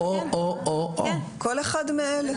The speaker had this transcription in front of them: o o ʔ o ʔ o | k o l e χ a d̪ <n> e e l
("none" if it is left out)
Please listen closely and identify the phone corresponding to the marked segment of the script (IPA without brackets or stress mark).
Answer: m